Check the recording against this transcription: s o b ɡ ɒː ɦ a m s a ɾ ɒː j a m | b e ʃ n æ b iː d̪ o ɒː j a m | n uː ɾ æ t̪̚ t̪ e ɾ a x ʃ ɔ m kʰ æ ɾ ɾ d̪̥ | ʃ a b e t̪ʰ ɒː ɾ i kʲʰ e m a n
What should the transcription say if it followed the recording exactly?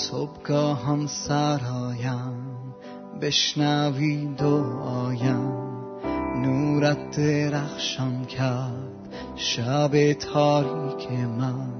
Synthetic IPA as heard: s o b ɡ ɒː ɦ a m s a ɾ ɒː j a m | b e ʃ n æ v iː d̪ o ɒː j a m | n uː ɾ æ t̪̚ d̪ e ɾ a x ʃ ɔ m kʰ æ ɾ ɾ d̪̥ | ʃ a b e t̪ʰ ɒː ɾ i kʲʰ e m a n